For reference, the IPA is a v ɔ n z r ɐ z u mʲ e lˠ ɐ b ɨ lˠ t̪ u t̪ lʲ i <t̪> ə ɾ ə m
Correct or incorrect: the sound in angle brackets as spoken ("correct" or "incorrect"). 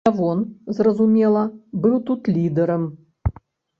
incorrect